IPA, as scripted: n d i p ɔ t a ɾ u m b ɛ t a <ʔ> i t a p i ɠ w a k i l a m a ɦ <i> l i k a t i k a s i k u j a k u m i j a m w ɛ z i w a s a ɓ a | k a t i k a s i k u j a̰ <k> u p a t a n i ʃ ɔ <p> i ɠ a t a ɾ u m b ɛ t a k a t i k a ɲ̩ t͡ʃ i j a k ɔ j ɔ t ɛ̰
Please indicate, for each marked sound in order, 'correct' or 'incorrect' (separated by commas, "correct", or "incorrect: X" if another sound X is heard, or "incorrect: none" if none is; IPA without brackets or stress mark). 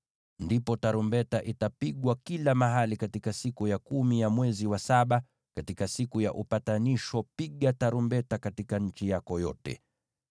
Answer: correct, incorrect: a, incorrect: ʔ, correct